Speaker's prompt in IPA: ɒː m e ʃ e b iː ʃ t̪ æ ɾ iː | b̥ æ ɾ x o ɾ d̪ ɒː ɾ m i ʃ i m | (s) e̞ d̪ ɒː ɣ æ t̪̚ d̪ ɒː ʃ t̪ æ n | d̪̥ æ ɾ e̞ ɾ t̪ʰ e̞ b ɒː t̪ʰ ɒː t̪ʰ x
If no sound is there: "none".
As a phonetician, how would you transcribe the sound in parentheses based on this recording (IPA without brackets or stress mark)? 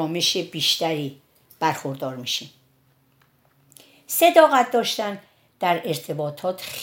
s